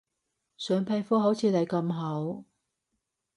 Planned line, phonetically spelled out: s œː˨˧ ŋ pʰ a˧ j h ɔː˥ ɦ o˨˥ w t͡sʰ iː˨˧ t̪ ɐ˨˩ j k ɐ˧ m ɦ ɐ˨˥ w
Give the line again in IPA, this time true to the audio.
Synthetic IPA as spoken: s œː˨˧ ŋ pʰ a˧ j f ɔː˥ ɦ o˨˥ w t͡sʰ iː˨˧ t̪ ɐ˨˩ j k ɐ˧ m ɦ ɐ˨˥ w